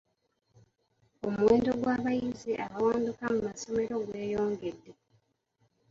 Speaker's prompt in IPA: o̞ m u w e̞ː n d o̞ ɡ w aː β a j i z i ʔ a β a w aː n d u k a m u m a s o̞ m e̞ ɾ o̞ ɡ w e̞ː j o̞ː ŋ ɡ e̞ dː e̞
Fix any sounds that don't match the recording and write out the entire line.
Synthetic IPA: o̞ m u w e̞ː n d o̞ ɡ w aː β a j i z i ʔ a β a w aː n d u k a m u m a s o̞ m e̞ ɾ o̞ ɡ w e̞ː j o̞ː ŋ ɡ e̞ dː e̞